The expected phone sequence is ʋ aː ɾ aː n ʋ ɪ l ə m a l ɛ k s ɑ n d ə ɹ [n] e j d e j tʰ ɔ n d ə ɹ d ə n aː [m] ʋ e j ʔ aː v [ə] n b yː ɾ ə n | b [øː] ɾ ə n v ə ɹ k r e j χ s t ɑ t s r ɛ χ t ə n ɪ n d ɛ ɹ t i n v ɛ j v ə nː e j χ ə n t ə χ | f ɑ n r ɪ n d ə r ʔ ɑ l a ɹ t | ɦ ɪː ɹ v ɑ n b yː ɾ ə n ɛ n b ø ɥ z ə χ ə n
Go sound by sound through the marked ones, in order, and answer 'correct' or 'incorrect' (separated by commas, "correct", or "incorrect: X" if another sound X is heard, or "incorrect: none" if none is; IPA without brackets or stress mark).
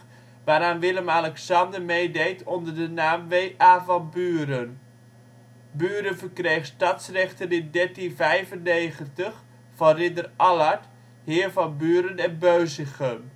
incorrect: m, correct, incorrect: ɑ, incorrect: yː